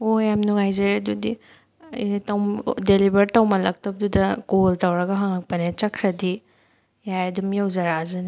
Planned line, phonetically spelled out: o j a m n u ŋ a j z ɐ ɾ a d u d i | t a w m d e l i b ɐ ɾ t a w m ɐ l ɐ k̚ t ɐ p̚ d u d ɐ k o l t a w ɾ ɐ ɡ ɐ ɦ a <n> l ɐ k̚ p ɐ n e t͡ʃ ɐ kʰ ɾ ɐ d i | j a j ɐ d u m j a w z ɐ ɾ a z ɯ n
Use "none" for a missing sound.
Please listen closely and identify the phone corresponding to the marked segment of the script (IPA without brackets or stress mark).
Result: ŋ